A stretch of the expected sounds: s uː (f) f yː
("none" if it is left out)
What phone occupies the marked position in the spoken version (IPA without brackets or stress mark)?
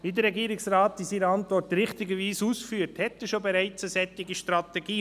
s